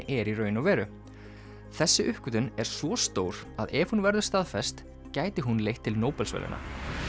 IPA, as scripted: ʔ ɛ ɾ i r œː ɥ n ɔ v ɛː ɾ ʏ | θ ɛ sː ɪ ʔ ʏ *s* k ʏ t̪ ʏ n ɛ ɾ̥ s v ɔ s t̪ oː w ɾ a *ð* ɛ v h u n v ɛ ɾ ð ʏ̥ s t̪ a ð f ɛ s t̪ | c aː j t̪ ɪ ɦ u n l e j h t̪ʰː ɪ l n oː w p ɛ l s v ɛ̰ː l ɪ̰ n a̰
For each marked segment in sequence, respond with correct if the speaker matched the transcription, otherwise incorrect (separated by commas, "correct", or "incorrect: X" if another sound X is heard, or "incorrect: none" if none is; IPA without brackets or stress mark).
incorrect: h, correct